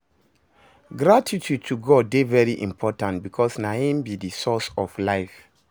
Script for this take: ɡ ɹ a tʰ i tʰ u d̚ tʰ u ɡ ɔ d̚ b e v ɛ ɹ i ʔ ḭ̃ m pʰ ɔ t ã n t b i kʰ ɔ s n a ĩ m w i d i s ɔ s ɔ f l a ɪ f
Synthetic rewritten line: ɡ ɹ a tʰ i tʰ u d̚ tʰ u ɡ ɔ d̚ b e v ɛ ɹ i ʔ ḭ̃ m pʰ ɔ t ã n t b i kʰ ɔ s n a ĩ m b i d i s ɔ s ɔ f l a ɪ f